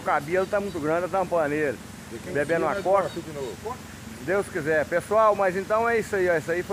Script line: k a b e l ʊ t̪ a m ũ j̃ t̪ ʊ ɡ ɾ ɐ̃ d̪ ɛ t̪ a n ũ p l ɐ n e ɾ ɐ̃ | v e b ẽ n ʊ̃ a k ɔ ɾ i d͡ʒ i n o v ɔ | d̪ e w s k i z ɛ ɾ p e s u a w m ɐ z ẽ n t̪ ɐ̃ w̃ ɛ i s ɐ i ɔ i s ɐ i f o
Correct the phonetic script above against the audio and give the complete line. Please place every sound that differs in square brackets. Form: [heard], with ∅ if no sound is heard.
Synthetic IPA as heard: k a b e l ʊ t̪ a m ũ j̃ t̪ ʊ ɡ ɾ ɐ̃ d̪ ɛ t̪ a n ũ p l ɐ n e ɾ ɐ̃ | [b] e b ẽ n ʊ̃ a k ɔ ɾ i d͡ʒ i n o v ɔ | d̪ e w s k i z ɛ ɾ p e s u a w m ɐ z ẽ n t̪ ɐ̃ w̃ ɛ i s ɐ i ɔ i s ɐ i f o